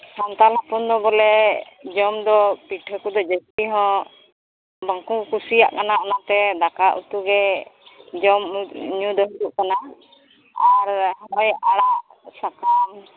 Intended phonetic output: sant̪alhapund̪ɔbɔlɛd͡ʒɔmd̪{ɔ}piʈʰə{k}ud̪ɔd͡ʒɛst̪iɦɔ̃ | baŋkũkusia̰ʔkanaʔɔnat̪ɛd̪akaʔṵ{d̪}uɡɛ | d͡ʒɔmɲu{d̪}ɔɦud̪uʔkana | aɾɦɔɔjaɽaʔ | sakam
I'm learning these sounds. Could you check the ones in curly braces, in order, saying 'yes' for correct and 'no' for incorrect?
yes, yes, no, yes

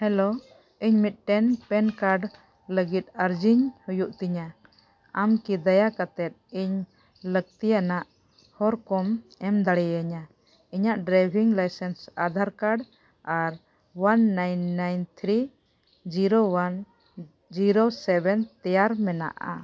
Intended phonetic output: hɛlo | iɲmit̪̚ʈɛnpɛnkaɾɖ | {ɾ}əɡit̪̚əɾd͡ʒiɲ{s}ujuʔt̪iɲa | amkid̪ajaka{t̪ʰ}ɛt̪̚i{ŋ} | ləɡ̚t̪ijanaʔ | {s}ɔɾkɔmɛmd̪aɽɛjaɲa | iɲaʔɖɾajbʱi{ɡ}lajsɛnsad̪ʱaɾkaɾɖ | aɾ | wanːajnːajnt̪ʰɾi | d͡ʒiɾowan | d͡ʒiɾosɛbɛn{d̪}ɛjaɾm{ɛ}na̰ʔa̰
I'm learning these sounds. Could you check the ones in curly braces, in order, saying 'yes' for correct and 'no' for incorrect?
no, no, no, no, no, no, no, yes

